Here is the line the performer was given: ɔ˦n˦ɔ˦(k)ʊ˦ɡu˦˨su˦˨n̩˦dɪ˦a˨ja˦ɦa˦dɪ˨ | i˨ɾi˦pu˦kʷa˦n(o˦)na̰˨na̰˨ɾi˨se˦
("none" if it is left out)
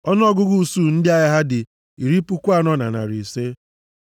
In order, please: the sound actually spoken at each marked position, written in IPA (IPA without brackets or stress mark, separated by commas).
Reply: ɡ, ɔ˦